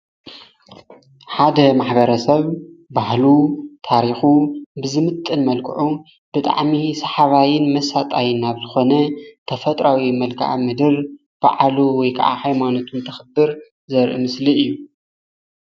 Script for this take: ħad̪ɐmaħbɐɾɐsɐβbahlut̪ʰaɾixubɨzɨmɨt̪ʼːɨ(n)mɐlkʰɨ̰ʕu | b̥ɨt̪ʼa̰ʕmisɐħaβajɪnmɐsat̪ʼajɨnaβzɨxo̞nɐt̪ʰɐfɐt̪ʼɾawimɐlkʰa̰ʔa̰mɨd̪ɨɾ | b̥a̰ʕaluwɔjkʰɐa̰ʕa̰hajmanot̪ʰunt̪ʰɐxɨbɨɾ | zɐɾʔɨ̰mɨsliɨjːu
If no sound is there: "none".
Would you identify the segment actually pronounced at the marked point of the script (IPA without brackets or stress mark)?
n